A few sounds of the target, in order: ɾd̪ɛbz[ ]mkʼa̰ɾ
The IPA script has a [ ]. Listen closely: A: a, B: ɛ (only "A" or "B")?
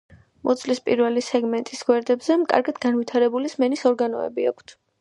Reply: B